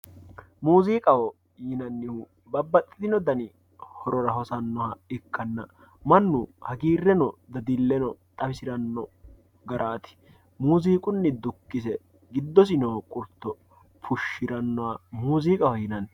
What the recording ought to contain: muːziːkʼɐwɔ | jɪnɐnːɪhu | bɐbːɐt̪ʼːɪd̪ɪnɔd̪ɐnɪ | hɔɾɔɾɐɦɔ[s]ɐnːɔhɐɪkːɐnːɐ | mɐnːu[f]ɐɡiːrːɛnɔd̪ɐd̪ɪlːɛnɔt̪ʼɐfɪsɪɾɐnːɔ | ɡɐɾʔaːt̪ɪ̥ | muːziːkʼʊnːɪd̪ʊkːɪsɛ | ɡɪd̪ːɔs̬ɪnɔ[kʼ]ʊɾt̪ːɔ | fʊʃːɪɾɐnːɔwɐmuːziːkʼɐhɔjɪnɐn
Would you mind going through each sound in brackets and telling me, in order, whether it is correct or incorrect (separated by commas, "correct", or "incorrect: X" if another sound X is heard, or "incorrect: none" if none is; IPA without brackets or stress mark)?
correct, incorrect: h, correct